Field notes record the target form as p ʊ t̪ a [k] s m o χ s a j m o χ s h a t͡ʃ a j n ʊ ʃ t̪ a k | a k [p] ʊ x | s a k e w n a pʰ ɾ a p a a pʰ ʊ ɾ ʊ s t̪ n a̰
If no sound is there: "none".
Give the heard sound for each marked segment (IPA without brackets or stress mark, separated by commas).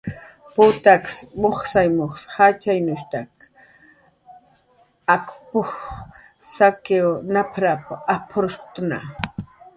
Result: k, p